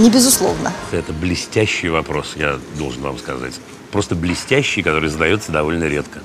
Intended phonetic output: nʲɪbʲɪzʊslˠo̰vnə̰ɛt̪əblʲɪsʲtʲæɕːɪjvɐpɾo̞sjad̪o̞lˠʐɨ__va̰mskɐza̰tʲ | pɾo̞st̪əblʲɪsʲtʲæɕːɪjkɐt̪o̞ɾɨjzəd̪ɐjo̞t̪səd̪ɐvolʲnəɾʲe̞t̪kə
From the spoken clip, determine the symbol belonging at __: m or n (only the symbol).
n